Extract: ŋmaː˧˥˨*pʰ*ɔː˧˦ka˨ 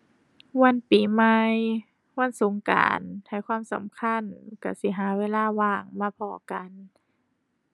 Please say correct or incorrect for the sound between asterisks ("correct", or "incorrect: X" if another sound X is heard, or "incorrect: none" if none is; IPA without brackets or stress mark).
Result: correct